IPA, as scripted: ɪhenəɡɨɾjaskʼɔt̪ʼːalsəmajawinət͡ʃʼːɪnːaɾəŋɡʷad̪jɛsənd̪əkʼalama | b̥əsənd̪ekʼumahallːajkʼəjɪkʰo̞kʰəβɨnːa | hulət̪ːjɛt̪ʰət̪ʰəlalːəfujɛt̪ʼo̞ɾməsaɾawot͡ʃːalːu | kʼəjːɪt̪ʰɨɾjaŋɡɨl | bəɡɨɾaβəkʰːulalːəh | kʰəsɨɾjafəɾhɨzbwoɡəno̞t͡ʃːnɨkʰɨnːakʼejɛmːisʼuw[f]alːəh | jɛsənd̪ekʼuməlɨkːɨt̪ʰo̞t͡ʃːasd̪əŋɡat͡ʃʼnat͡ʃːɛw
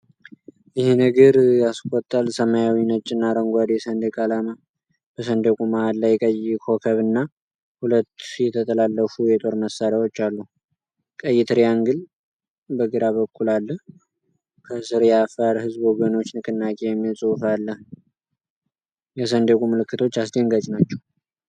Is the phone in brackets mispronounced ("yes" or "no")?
no